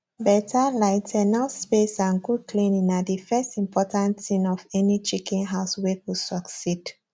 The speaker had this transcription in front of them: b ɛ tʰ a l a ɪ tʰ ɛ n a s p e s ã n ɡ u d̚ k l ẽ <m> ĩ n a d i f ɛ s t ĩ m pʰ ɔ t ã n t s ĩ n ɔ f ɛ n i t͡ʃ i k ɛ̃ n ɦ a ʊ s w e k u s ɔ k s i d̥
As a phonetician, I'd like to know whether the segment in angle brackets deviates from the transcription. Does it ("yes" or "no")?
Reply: yes